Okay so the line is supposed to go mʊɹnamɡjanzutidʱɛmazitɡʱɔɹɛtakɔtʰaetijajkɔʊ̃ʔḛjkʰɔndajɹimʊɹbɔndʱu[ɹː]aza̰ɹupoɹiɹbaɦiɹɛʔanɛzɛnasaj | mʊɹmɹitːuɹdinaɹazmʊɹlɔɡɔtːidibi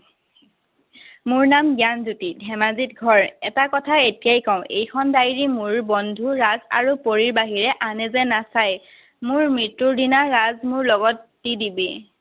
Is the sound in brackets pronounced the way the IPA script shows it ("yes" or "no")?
no